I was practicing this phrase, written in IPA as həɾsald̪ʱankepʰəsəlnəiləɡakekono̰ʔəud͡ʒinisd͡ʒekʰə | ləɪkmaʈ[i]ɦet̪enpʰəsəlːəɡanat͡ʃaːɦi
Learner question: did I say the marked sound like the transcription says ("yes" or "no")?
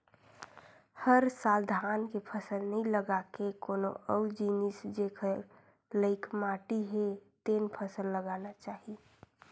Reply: yes